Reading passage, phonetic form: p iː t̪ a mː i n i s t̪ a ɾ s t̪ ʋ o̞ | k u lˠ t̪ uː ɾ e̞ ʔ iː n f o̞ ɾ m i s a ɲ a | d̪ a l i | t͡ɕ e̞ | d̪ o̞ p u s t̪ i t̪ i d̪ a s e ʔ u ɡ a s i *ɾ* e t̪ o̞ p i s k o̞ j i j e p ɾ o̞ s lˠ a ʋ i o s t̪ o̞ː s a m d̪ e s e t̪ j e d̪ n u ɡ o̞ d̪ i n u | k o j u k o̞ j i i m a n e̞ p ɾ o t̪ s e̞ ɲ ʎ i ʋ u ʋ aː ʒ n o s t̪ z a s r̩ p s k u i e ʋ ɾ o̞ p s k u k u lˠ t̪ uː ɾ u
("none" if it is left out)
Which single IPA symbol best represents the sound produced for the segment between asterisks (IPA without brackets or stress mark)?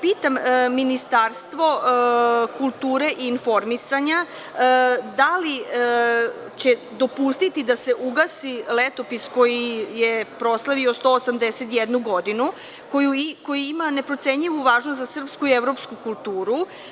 l